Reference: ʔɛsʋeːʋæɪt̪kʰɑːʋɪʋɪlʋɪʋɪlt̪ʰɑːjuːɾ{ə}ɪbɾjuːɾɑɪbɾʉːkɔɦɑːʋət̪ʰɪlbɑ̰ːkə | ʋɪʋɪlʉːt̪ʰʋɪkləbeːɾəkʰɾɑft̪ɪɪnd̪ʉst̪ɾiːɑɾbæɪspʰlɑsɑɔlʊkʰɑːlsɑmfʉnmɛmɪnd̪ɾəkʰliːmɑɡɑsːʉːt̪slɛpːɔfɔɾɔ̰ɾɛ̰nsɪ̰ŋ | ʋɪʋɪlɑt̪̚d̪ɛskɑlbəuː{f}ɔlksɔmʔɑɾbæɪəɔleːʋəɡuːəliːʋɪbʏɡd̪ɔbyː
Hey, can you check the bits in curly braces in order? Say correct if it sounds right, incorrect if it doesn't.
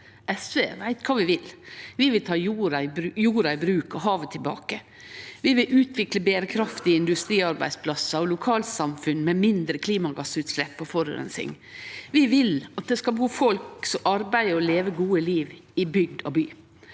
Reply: incorrect, correct

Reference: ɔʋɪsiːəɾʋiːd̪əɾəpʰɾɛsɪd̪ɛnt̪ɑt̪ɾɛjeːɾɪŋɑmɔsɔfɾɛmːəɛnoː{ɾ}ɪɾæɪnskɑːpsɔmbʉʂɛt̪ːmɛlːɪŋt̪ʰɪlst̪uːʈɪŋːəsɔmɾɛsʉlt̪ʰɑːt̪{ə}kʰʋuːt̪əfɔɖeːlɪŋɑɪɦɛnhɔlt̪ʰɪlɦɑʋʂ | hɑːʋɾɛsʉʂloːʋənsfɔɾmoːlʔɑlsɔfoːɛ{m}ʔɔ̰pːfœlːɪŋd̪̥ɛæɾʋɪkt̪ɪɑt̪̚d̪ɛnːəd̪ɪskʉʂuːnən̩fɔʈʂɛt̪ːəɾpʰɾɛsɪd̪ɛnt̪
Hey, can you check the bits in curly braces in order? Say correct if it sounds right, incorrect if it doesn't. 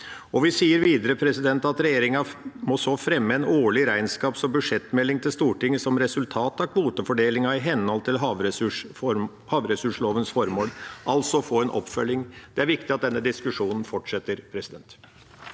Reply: incorrect, incorrect, incorrect

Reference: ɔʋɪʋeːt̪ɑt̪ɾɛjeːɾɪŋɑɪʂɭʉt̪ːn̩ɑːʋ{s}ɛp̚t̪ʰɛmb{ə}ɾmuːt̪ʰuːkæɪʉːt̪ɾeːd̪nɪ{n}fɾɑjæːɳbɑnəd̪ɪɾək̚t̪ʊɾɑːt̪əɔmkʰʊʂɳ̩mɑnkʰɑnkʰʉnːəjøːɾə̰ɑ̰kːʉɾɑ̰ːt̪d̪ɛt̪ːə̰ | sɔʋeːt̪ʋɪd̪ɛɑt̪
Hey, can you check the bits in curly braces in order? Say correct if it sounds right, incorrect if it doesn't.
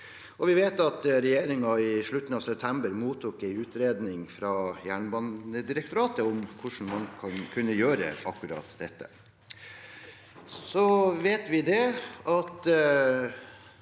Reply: correct, correct, incorrect

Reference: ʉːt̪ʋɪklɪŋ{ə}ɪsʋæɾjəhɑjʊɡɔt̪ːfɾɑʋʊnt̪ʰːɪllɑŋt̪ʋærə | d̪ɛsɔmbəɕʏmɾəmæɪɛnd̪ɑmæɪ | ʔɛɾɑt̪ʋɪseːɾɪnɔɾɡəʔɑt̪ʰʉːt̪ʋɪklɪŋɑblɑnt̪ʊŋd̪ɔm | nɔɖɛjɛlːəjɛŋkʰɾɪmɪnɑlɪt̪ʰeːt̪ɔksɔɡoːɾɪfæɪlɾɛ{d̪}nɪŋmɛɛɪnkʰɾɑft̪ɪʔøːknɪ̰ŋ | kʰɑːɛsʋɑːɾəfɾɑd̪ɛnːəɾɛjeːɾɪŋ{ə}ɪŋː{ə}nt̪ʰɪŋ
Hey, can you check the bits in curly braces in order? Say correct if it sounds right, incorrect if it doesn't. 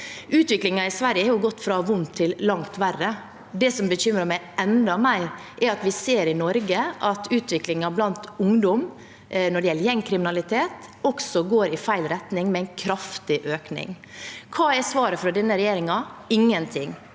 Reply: incorrect, incorrect, incorrect, correct

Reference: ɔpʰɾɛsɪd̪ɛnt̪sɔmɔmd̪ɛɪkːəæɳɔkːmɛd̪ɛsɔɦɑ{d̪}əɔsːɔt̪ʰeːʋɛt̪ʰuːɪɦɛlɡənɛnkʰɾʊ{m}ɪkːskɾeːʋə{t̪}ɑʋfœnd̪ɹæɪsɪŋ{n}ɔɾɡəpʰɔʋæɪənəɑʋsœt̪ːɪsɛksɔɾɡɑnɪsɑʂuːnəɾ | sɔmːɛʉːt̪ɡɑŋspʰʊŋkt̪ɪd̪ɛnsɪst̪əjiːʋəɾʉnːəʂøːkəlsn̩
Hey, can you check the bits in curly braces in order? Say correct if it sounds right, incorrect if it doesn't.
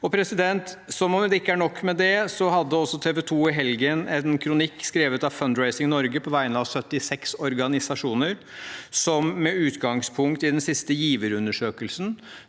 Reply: incorrect, incorrect, correct, correct

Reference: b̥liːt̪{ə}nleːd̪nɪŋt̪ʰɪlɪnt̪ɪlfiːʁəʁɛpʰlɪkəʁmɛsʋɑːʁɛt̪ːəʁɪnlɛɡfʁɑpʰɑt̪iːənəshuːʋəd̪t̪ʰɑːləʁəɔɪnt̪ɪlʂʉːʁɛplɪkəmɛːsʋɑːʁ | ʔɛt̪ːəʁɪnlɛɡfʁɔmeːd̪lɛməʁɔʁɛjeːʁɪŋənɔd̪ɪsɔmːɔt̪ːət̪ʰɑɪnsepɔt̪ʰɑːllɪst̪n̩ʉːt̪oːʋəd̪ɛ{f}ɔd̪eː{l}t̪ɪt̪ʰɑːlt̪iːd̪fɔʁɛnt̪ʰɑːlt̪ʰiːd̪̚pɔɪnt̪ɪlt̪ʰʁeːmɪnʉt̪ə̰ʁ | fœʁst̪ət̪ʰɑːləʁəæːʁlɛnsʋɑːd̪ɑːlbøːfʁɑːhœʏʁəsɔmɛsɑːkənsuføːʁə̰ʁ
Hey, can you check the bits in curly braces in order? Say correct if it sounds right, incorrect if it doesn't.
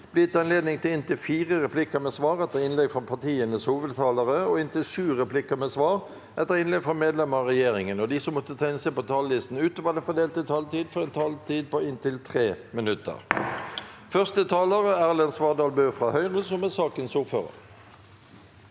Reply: incorrect, correct, correct

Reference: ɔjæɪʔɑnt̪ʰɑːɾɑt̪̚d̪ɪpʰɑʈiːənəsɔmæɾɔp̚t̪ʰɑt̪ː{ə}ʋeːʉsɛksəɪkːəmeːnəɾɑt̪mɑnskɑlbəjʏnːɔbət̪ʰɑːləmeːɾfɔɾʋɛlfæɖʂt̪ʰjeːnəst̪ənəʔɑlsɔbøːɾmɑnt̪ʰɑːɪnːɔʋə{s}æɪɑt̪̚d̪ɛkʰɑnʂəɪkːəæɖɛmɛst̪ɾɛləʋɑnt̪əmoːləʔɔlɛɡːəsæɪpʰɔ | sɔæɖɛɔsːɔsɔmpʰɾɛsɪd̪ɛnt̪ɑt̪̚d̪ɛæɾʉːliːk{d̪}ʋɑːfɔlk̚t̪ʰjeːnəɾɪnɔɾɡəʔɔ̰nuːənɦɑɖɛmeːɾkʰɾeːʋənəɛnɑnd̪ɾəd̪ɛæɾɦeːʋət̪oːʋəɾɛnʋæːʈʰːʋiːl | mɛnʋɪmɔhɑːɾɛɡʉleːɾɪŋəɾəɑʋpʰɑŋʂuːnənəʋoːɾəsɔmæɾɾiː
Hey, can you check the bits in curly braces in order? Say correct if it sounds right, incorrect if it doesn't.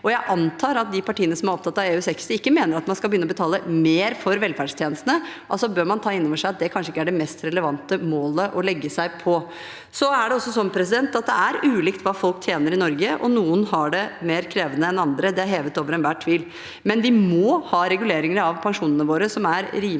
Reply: incorrect, incorrect, incorrect

